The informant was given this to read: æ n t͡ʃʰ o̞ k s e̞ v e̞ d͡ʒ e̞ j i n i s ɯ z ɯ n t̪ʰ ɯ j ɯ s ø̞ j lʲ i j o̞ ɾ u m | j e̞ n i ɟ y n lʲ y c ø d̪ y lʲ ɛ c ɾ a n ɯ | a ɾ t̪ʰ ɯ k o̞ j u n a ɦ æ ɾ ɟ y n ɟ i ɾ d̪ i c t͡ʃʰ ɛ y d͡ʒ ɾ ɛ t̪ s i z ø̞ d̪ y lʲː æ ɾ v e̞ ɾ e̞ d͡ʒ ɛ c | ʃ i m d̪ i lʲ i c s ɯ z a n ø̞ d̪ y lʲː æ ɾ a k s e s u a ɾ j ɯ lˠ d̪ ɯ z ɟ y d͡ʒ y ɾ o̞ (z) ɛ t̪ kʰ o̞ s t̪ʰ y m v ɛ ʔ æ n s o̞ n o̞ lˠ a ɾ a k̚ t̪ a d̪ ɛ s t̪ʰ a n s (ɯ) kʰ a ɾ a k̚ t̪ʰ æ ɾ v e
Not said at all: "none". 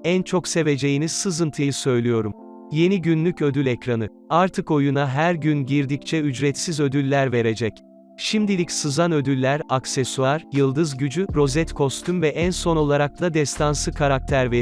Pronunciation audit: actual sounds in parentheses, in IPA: z, ɯ

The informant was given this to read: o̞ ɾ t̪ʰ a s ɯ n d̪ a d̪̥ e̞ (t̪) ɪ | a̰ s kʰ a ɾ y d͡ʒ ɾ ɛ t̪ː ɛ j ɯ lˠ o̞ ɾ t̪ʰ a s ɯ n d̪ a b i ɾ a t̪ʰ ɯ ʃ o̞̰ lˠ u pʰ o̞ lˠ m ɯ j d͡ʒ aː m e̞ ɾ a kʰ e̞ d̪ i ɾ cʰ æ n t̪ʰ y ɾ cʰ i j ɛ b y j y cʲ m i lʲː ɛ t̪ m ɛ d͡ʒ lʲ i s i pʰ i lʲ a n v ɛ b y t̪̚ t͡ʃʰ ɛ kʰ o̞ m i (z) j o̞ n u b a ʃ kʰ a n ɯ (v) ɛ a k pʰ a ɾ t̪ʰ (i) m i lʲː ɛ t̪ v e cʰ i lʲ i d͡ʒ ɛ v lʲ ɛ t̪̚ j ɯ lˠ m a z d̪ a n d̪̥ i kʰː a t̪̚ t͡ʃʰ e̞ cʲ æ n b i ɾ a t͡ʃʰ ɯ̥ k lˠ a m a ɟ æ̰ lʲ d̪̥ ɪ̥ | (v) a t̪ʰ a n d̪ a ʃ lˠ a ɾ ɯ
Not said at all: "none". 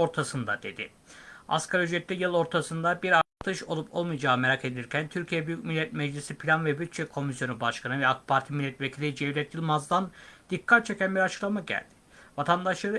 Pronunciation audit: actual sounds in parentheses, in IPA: d̪, s, v, i, v

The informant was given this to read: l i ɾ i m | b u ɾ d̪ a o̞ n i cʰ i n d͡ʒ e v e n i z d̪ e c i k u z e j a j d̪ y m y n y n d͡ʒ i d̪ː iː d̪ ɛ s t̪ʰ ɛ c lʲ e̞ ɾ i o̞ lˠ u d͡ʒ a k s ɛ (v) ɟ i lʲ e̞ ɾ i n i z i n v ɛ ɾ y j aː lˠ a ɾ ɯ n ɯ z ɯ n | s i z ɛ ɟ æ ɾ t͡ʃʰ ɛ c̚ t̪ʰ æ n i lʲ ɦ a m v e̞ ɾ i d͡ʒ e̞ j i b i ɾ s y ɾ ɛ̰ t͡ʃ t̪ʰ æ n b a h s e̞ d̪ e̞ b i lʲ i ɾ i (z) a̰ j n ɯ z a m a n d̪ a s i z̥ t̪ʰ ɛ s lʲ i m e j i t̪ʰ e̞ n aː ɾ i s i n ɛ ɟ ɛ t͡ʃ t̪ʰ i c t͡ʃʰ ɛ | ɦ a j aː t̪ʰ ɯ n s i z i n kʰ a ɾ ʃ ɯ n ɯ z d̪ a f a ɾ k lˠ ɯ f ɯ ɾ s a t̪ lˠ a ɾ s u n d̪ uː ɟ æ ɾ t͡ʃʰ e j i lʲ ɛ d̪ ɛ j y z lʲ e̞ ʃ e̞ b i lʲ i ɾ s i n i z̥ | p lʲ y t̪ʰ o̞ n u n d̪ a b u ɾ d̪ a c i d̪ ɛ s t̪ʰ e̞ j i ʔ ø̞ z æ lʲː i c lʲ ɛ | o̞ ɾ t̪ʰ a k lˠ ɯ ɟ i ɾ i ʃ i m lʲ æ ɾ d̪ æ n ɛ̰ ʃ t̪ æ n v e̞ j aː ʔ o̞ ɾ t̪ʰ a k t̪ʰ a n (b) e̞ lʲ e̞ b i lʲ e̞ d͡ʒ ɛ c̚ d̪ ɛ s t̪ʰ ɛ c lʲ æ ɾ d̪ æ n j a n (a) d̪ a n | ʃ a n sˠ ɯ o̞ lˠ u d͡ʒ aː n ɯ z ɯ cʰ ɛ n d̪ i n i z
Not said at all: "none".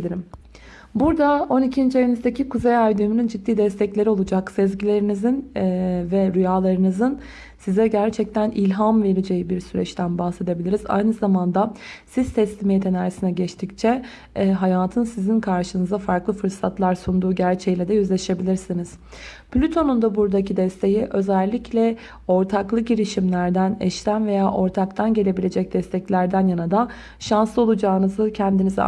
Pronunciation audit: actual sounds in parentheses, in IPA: z, z, ɟ, a

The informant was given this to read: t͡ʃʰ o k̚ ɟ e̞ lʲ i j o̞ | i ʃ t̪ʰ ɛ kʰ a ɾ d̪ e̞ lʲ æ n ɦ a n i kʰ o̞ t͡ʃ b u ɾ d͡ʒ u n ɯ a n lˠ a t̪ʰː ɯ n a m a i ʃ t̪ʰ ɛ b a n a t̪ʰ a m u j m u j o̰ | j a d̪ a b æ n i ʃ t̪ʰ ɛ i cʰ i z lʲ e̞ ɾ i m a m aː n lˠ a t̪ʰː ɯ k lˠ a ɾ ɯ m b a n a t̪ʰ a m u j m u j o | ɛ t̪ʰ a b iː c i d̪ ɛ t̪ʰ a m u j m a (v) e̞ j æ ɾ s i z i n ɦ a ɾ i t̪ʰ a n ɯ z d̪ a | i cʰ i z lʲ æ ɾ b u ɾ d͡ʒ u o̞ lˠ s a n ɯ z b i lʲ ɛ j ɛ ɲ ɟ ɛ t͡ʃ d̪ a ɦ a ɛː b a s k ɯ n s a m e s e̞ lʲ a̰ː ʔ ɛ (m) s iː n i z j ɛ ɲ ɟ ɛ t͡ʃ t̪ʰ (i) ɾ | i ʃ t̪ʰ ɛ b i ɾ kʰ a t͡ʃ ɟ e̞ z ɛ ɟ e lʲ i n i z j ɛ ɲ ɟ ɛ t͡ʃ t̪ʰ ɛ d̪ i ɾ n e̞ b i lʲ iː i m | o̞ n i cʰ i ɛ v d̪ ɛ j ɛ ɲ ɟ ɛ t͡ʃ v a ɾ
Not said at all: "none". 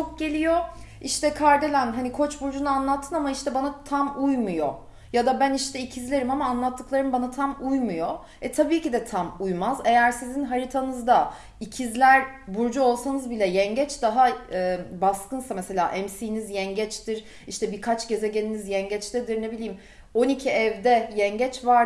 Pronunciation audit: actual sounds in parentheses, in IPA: z, m, i

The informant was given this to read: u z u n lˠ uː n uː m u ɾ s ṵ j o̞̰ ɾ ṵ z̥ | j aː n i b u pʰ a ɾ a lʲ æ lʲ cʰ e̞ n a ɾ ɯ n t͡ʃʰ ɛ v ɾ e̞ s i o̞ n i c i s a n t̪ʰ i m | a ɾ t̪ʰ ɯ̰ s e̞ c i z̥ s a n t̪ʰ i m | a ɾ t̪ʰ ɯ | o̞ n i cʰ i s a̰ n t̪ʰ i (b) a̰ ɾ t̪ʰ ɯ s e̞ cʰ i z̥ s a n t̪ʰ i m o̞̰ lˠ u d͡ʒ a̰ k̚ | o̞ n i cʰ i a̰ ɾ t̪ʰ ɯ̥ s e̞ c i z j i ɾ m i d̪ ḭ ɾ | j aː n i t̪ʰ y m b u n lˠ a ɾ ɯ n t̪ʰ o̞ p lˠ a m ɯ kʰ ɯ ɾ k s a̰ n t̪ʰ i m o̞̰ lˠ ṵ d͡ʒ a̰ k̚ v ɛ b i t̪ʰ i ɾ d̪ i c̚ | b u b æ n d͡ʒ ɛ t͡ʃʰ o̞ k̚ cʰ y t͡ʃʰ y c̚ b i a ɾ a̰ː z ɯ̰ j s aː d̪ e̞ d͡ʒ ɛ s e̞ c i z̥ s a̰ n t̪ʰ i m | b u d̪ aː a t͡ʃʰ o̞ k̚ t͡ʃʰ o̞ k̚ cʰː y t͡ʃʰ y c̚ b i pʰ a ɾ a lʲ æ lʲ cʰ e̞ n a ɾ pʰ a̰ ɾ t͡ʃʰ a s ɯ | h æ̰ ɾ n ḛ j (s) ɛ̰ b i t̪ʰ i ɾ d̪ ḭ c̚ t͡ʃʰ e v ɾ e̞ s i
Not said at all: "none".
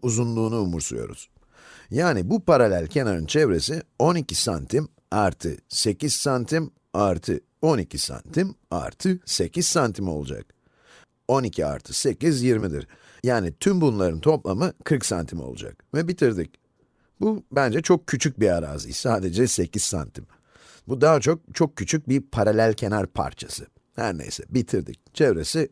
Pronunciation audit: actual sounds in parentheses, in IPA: m, s

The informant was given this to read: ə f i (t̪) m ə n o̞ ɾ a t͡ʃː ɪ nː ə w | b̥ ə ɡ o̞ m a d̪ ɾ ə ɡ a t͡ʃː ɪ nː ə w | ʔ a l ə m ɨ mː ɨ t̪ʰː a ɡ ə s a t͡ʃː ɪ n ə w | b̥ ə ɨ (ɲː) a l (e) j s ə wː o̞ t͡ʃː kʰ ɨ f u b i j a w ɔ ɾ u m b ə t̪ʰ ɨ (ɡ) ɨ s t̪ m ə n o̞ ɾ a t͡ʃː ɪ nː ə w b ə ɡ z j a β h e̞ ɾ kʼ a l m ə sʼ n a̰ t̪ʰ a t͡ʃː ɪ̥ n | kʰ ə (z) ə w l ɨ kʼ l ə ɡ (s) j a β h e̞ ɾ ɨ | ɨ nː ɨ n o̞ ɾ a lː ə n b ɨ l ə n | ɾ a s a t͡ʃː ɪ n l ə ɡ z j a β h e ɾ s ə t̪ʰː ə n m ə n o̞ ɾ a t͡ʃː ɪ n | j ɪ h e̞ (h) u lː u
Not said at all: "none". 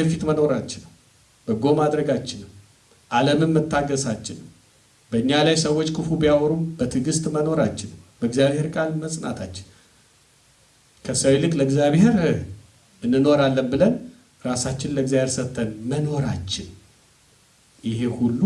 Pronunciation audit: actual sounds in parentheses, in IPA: t̪, ɲː, a, ɡ, s, z, h

